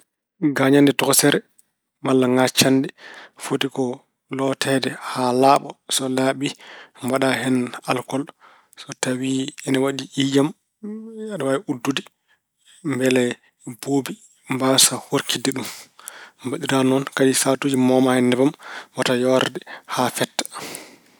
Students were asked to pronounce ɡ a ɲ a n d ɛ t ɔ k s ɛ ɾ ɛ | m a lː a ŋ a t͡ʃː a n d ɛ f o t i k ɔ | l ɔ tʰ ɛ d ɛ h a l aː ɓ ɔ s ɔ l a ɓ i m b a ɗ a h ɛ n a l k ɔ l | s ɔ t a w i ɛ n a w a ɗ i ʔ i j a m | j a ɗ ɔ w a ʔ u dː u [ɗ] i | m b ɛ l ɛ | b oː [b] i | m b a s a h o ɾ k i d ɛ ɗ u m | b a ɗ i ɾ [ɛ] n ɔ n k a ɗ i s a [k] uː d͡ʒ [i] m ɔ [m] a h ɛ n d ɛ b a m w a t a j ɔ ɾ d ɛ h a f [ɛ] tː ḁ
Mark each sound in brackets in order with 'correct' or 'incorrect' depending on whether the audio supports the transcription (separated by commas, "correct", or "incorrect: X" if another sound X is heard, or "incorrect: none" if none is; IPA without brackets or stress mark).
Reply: incorrect: d, correct, incorrect: a, incorrect: t, correct, correct, correct